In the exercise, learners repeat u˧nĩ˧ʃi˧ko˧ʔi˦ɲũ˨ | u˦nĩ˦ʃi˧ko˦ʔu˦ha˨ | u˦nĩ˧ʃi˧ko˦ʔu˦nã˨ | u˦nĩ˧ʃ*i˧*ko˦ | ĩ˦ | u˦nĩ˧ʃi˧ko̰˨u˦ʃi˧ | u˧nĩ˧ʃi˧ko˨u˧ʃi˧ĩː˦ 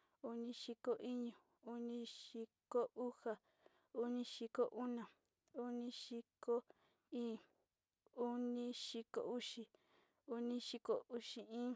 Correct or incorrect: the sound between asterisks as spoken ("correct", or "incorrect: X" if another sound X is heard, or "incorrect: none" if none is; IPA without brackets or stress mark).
correct